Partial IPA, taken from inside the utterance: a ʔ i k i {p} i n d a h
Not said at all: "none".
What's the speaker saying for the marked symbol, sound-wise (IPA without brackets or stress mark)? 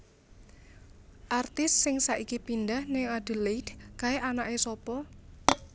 p